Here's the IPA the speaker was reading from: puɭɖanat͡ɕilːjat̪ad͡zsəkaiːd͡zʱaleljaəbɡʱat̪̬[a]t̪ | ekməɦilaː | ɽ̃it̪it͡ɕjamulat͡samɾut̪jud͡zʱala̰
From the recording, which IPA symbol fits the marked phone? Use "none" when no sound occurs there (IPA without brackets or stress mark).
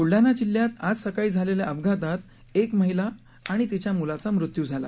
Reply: a